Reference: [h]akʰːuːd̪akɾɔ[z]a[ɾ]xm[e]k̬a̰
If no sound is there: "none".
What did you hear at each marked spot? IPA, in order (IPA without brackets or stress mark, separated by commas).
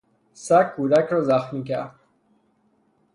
s, z, none, i